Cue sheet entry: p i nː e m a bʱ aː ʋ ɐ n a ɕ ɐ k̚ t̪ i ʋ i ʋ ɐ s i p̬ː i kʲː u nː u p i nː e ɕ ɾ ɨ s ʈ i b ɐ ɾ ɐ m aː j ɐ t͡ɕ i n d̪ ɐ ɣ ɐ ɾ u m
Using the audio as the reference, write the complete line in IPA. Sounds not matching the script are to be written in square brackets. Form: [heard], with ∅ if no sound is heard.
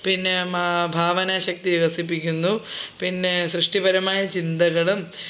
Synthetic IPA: p i nː e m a bʱ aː ʋ ɐ n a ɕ ɐ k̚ t̪ i ʋ i ʋ ɐ s i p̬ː i kʲː u nː u p i nː e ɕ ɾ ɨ [ʂ] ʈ i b ɐ ɾ ɐ m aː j ɐ t͡ɕ i n d̪ ɐ ɣ ɐ [ɭ] u m